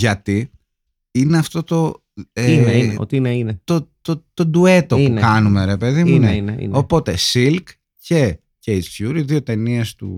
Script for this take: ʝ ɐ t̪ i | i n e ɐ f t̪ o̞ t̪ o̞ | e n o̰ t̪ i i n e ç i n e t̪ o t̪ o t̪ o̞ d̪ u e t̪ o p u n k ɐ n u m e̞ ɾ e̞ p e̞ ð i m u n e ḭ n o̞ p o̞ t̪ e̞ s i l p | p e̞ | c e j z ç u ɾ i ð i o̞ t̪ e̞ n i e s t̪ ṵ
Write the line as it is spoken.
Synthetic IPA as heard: ʝ ɐ t̪ i | i n e ɐ f t̪ o̞ t̪ o̞ | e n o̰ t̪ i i n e i n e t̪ o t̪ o t̪ o̞ d̪ u e t̪ o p u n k ɐ n u m e̞ ɾ e̞ p e̞ ð i m u n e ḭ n o̞ p o̞ t̪ e̞ s i l k | c e̞ | c e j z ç u ɾ i ð i o̞ t̪ e̞ n i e s t̪ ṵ